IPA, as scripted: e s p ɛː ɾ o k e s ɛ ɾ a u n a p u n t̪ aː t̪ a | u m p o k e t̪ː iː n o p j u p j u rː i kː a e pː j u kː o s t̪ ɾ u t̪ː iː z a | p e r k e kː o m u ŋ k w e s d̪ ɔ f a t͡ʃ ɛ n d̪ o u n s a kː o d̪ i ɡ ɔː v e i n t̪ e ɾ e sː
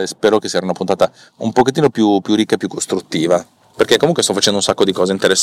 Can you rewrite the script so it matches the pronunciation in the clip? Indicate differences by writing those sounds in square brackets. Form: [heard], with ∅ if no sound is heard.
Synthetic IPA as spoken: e s p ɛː ɾ o k e s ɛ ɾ a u n a p u n t̪ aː t̪ a | u m p o k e t̪ː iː n o p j u p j u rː i kː a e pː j u kː o s t̪ ɾ u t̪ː iː [v] a | p e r k e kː o m u ŋ k w e s [t̪] ɔ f a t͡ʃ ɛ n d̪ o u n s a kː o d̪ i [k] ɔː [z] e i n t̪ e ɾ e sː